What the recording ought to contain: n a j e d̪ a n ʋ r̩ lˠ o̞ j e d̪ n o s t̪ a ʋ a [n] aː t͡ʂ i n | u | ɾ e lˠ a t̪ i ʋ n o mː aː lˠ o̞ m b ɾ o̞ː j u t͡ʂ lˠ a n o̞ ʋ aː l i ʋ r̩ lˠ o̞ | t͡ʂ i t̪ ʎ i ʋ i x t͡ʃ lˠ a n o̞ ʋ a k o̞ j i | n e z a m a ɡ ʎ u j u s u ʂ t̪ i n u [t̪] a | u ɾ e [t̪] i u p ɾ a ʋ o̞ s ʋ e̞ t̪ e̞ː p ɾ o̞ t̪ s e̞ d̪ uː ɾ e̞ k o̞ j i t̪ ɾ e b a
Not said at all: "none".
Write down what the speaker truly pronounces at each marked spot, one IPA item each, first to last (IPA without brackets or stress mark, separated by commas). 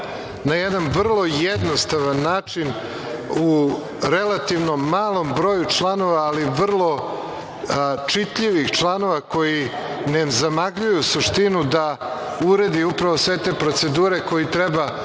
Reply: nː, d̪, d̪